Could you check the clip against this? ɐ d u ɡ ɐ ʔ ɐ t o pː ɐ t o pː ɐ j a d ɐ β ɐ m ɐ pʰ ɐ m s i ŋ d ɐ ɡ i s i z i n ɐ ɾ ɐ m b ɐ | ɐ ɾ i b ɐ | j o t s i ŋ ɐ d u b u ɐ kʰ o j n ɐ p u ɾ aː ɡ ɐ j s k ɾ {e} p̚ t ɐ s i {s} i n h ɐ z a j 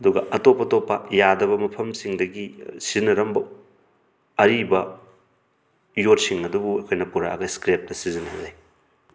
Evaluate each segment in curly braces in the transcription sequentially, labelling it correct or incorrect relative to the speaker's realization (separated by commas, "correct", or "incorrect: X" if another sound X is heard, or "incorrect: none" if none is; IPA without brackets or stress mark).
correct, incorrect: z